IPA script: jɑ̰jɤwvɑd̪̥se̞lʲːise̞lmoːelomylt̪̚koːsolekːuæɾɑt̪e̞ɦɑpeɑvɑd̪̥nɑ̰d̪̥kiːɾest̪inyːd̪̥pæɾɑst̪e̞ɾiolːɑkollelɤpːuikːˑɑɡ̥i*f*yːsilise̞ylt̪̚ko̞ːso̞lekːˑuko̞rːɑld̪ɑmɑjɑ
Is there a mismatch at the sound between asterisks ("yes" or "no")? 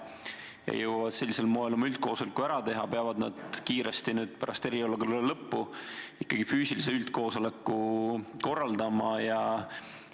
no